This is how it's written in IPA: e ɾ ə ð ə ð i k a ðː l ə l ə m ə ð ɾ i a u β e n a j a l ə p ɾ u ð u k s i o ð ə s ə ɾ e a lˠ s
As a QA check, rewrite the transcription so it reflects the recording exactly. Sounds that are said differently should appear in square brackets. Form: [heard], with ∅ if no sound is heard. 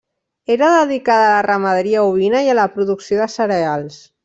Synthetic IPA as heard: e ɾ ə ð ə ð i k a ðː l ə [r] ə m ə ð ɾ i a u β [i] n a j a l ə p ɾ u ð u k s i o ð ə s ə ɾ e a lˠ s